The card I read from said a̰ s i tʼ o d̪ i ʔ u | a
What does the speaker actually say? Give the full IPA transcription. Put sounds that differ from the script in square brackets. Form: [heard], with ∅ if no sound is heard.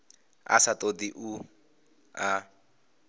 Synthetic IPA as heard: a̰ s [a] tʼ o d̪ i ʔ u | a